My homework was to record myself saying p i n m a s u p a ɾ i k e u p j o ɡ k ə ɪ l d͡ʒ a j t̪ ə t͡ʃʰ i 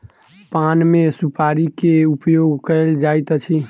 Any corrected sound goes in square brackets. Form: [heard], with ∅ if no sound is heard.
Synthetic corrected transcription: p [a] n m [e] s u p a ɾ i k e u p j o ɡ k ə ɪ l d͡ʒ a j t̪ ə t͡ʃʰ i